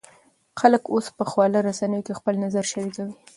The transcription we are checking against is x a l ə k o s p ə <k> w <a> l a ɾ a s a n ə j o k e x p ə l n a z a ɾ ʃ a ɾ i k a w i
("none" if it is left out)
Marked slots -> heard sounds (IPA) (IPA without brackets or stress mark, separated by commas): x, ɑ